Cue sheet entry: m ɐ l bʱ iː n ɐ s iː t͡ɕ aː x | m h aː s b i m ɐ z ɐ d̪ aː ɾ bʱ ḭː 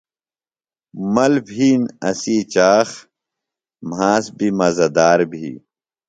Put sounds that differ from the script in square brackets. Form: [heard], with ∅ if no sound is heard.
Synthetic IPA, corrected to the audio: m ɐ l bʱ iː n ɐ s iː t͡ɕ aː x | m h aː s b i m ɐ z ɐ d̪ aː ɾ bʱ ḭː